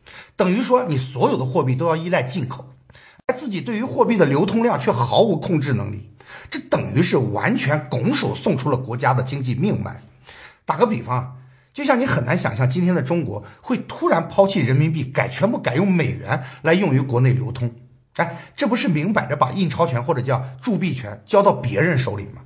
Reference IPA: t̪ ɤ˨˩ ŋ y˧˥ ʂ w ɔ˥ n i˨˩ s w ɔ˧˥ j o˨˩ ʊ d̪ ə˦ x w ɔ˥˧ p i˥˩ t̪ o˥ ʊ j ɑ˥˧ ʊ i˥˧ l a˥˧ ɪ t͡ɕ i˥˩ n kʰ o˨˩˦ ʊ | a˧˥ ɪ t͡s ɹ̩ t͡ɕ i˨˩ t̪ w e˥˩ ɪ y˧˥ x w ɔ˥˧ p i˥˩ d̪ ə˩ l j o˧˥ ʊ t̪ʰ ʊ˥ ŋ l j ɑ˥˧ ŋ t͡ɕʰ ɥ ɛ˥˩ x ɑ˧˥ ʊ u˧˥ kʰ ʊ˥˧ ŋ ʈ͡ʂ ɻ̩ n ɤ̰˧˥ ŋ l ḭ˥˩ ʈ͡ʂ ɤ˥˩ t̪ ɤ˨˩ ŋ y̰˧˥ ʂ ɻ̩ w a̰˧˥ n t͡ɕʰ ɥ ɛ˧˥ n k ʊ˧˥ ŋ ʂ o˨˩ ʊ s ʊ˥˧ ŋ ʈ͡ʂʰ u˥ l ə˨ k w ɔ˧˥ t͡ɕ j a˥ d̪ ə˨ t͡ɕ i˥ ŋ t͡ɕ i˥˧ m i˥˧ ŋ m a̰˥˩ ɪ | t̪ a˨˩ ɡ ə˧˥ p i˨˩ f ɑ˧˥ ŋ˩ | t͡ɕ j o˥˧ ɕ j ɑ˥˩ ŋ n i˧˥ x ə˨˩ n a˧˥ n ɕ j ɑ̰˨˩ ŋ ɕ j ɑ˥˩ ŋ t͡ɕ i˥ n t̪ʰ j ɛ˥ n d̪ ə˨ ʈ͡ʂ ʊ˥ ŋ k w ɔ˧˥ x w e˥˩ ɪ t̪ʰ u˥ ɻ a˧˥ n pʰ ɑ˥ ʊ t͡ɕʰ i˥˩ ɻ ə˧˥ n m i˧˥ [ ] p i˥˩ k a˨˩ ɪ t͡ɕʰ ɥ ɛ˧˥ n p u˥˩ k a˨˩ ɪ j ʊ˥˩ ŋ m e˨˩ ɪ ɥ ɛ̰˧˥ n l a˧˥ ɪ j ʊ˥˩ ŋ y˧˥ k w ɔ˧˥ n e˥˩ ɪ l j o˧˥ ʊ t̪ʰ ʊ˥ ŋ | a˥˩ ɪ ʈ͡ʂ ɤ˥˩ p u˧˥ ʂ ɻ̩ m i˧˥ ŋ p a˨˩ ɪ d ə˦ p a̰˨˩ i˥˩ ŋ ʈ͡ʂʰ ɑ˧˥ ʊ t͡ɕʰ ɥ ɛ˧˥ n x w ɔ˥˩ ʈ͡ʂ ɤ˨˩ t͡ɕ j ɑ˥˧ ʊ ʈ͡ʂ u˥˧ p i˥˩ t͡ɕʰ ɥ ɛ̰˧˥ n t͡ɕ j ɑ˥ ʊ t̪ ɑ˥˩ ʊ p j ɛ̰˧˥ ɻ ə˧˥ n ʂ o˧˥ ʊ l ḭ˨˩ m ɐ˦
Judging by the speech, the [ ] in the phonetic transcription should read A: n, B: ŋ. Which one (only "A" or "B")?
A